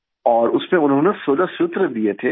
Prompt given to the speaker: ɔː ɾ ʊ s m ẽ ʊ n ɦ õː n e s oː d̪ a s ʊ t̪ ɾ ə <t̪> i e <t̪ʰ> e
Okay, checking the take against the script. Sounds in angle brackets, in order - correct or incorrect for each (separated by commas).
incorrect, correct